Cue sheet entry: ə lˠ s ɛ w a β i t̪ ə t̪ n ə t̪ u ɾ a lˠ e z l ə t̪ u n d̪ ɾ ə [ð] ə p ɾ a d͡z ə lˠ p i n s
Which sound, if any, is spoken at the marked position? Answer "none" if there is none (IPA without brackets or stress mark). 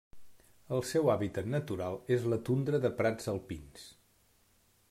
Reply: ð